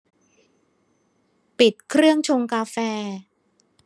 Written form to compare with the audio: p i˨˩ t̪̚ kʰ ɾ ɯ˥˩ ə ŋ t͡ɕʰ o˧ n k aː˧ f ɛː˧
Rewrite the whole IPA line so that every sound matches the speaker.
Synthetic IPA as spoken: p i˨˩ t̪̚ kʰ ɾ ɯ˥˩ ə ŋ t͡ɕʰ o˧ ŋ k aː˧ f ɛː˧

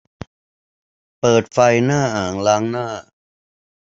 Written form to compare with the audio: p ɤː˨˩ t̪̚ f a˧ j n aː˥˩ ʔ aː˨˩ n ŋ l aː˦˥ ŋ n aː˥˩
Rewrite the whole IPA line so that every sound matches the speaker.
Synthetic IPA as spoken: p ɤː˨˩ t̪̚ f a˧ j n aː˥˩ ʔ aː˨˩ ŋ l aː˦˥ ŋ n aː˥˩

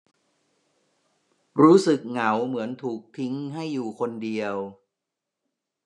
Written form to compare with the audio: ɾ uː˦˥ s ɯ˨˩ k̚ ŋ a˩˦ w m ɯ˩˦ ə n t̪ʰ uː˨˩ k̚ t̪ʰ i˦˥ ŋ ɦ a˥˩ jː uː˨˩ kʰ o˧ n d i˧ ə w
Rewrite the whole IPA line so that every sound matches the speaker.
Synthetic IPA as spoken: ɾ uː˦˥ s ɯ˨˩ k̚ ŋ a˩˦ w m ɯ˩˦ ə n t̪ʰ uː˨˩ k̚ t̪ʰ i˦˥ ŋ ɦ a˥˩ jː uː˨˩ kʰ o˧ n d i˧ ə w

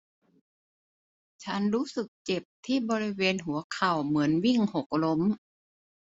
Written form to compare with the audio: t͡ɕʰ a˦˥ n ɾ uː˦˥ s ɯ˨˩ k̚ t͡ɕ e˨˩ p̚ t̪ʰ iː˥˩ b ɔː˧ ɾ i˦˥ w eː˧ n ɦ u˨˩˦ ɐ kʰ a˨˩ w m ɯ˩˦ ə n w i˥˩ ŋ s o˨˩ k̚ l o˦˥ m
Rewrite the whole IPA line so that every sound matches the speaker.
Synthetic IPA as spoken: t͡ɕʰ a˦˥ n ɾ uː˦˥ s ɯ˨˩ k̚ t͡ɕ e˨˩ p̚ t̪ʰ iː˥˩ b ɔː˧ ɾ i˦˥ w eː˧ n ɦ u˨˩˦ ɐ kʰ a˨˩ w m ɯ˩˦ ə n w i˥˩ ŋ h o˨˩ k̚ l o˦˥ m

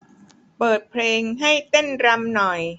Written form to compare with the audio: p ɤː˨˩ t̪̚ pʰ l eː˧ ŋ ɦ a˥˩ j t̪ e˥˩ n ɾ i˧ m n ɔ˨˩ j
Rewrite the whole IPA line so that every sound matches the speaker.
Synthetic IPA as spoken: p ɤː˨˩ t̪̚ pʰ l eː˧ ŋ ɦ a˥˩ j t̪ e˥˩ n ɾ a˧ m n ɔ˨˩ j

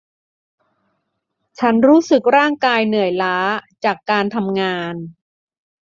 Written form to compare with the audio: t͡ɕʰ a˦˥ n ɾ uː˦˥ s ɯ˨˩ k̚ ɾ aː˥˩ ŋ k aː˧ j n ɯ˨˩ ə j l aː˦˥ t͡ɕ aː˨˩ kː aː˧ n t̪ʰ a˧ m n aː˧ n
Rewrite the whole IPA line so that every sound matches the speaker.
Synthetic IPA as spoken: t͡ɕʰ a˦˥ n ɾ uː˦˥ s ɯ˨˩ k̚ ɾ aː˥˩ ŋ k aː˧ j n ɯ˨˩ ə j l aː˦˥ t͡ɕ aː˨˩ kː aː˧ n t̪ʰ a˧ m ŋ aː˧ n

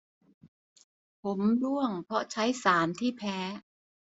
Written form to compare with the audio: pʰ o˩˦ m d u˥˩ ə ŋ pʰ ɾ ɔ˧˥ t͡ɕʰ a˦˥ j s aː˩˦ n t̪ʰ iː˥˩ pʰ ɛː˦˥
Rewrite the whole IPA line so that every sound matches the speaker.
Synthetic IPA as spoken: pʰ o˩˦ m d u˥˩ ə ŋ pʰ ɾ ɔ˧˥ t͡ɕʰ a˦˥ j s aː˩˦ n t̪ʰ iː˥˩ pʰ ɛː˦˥

